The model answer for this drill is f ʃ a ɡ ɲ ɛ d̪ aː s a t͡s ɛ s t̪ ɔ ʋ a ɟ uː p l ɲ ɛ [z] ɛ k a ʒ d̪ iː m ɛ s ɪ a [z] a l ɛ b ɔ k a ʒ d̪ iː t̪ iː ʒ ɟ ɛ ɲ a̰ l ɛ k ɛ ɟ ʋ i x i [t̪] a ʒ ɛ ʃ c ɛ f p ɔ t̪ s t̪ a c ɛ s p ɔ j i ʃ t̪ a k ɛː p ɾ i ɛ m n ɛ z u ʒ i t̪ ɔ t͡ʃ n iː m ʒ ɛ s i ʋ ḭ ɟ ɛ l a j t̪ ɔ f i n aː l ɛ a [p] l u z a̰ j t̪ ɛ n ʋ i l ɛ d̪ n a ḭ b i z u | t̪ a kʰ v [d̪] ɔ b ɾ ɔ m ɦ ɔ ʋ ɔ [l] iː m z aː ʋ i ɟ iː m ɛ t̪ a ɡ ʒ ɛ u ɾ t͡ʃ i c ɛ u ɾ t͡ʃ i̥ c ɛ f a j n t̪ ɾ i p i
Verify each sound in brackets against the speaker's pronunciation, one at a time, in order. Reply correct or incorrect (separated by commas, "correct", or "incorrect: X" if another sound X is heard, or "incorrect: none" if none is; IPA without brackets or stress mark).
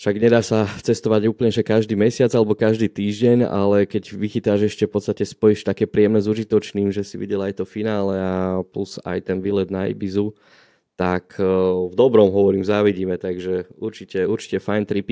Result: incorrect: ʒ, incorrect: d͡z, correct, correct, correct, incorrect: ɾ